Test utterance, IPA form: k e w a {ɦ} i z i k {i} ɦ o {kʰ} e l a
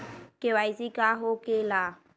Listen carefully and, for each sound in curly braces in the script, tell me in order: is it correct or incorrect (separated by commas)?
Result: incorrect, incorrect, incorrect